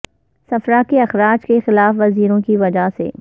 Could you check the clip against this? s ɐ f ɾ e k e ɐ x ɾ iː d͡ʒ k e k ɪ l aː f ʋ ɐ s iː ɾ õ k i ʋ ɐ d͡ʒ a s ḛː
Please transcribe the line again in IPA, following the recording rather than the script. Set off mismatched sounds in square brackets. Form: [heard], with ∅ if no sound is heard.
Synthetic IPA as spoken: s ɐ f ɾ [a] k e ɐ x ɾ [aː] d͡ʒ k e [x] ɪ l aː f ʋ ɐ [z] iː ɾ õ k i ʋ ɐ d͡ʒ a s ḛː